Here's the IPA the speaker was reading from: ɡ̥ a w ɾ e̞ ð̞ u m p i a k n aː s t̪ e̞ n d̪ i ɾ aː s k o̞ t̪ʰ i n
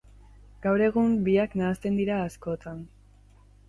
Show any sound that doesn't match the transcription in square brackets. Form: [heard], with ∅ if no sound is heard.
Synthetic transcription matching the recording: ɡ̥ a w ɾ e̞ [ɣ̞] u m [b] i a k n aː s t̪ e̞ n d̪ i ɾ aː s k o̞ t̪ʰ [a] n